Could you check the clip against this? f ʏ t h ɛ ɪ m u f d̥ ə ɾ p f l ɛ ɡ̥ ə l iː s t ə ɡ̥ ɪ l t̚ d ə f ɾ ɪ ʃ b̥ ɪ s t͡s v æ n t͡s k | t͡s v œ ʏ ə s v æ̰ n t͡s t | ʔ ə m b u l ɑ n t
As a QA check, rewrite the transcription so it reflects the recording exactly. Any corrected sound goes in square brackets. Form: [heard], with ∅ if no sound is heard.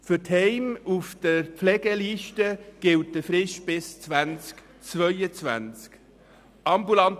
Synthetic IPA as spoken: f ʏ t h ɛ ɪ m u f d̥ ə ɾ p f l ɛ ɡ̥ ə l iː [ʃ] t ə ɡ̥ ɪ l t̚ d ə f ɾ ɪ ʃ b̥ ɪ s t͡s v æ n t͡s k | t͡s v œ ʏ ə [t͡s] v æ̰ n t͡s [k] | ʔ [ɑ] m b u l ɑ n t